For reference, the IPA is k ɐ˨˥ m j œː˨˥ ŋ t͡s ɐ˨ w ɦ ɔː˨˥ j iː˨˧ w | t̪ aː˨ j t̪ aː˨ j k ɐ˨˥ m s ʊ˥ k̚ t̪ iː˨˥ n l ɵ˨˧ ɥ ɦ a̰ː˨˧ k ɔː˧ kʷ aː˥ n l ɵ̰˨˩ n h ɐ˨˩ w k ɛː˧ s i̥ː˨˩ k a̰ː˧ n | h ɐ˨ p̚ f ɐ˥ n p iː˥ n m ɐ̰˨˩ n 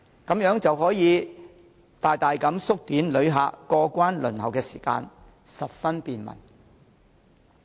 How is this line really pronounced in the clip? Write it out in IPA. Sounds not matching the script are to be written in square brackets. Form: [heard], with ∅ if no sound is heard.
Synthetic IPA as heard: k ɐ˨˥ m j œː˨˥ ŋ t͡s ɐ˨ w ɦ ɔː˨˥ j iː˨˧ [∅] | t̪ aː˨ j t̪ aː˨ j k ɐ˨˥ m s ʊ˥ k̚ t̪ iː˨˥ n l ɵ˨˧ ɥ ɦ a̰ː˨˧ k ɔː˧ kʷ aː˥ n l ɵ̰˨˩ n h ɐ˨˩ w k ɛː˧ s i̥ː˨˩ k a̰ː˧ n | [s] ɐ˨ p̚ f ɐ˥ n p [iː˨˧] n m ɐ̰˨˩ n